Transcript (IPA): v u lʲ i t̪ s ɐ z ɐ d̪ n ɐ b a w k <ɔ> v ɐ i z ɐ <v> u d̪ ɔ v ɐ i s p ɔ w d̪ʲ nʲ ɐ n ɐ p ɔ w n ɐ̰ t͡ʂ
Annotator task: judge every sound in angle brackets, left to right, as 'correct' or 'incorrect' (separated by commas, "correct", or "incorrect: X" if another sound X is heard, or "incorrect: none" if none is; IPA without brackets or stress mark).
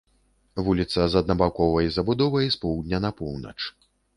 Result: correct, incorrect: b